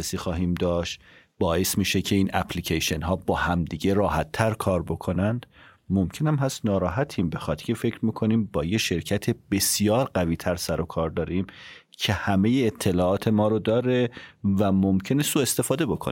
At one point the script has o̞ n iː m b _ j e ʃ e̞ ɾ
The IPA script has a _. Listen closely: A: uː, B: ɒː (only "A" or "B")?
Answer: B